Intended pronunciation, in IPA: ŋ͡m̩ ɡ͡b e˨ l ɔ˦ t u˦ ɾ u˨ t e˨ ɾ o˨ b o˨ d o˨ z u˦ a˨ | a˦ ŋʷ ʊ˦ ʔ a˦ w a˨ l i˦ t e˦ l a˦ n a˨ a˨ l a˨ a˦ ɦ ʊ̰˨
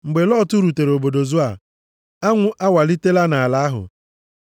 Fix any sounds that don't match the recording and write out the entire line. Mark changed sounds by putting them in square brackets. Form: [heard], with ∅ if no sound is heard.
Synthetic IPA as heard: ŋ͡m̩ ɡ͡b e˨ l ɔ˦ t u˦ ɾ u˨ t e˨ ɾ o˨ b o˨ d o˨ z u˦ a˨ | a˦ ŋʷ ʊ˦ ʔ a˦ w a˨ l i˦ t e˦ l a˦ n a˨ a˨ l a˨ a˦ ɦ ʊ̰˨

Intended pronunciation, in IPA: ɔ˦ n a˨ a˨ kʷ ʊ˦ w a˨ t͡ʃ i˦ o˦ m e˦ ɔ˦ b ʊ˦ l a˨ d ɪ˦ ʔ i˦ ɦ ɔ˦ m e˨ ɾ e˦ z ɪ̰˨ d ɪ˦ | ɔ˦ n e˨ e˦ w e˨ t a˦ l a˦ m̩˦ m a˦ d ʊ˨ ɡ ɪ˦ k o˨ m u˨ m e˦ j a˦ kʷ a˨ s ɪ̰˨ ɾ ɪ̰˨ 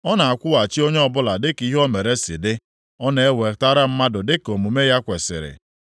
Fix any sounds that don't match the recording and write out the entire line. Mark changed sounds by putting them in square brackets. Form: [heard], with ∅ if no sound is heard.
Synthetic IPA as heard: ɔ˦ n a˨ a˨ kʷ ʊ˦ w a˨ t͡ʃ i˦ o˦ [ɲ] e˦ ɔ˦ b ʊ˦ l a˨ d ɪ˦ [k] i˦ ɦ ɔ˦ m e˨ ɾ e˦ [s] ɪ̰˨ d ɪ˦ | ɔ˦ n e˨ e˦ w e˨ t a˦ [ɾ] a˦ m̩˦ m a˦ d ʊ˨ [d] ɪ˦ k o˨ m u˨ m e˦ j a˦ kʷ [e˨] s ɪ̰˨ ɾ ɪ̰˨

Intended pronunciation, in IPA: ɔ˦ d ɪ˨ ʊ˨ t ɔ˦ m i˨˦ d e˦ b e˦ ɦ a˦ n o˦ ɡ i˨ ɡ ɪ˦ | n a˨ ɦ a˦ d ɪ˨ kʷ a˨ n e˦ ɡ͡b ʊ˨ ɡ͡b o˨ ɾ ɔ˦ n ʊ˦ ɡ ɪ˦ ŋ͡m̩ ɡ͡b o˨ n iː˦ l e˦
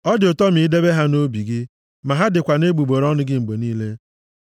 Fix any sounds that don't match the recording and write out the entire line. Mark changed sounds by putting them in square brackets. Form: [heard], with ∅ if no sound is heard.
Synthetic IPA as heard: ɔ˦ d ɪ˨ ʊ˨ t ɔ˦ m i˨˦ d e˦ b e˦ ɦ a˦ n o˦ [b] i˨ ɡ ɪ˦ | [m] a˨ ɦ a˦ d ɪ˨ kʷ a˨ n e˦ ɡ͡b [u˨] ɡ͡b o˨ ɾ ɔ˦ n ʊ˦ ɡ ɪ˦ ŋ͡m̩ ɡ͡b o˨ n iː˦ l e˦

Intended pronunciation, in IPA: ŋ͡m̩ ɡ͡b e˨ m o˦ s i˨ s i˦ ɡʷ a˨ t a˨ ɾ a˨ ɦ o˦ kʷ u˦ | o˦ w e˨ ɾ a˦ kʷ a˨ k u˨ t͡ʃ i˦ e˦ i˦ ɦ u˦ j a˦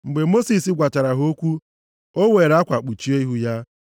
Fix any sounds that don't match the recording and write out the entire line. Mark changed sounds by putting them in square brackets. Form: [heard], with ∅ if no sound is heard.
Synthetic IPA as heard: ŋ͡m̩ ɡ͡b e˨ m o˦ s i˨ s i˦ ɡʷ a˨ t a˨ ɾ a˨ ɦ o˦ kʷ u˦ | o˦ w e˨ ɾ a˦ kʷ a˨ [k͡p] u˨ t͡ʃ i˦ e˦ i˦ ɦ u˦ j a˦

